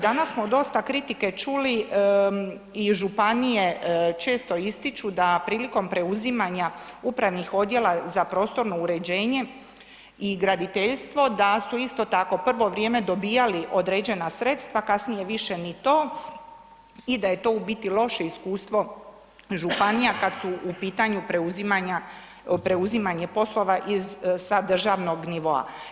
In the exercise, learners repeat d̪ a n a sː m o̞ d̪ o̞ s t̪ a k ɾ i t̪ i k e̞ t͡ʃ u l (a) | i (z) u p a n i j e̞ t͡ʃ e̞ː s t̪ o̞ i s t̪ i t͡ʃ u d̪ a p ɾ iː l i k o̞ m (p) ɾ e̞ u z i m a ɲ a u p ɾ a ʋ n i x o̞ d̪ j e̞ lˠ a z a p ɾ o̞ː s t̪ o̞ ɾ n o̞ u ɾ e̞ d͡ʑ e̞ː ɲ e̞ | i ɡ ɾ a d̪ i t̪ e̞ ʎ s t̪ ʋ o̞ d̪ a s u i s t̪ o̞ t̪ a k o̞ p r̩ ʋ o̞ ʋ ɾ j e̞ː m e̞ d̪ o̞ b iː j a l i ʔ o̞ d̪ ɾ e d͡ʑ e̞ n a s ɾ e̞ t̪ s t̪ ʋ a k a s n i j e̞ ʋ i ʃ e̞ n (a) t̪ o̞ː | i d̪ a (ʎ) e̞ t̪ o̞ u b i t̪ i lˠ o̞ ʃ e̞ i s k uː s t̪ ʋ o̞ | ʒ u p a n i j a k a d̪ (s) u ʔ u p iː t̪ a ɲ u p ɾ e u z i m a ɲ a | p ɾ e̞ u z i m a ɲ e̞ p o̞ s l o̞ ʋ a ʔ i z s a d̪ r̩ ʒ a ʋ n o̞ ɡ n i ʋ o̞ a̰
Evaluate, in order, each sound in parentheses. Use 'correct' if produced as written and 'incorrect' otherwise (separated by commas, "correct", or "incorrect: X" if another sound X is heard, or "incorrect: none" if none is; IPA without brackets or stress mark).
incorrect: i, incorrect: ʒ, correct, incorrect: i, incorrect: j, correct